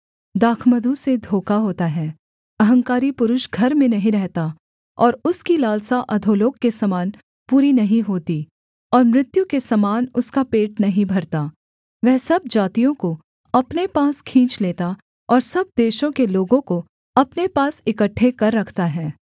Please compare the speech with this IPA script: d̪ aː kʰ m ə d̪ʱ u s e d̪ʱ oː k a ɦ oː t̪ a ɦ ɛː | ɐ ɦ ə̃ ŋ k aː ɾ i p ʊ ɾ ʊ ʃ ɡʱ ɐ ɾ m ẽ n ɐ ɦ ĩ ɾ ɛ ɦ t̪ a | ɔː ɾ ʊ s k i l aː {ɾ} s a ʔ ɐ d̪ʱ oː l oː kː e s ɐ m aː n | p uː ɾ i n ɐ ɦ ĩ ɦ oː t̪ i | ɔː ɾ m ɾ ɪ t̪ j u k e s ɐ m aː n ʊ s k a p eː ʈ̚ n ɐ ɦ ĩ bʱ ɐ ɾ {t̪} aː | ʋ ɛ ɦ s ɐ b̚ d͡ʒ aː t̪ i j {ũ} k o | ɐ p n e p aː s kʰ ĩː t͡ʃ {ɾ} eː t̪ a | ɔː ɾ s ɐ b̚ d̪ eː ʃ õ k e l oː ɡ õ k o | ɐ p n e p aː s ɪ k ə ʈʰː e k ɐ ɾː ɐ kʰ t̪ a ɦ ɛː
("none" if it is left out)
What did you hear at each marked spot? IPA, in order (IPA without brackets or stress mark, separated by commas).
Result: l, t̪, õ, l